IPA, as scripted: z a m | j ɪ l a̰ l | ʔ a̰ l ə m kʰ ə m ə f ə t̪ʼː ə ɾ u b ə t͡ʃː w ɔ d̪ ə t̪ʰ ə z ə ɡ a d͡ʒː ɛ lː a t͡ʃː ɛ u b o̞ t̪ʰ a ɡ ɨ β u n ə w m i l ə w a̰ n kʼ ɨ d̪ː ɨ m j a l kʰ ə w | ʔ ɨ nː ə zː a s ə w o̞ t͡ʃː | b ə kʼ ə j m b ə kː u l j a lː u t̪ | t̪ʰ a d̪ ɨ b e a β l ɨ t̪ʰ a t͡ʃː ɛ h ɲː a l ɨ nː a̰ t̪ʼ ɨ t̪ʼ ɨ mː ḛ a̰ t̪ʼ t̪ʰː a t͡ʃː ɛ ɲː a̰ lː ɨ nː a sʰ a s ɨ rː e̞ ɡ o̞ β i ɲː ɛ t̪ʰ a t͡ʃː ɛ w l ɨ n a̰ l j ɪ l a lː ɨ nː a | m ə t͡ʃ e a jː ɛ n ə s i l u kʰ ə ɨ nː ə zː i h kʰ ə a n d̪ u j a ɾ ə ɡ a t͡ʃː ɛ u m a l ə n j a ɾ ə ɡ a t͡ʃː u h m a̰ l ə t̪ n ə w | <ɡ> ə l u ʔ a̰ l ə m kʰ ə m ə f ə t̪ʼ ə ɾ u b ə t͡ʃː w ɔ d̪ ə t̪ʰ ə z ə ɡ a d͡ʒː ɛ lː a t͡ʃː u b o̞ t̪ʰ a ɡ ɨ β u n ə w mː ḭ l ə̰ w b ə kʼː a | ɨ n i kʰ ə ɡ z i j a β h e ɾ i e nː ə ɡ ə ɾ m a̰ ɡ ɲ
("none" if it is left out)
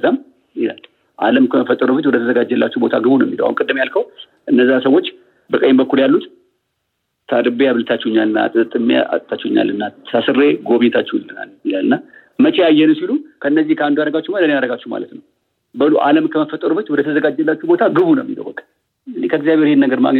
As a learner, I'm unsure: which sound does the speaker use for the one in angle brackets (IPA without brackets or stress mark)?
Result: b